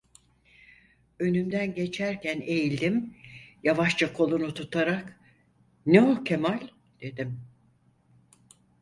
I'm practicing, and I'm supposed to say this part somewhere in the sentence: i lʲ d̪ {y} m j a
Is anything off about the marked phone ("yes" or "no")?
yes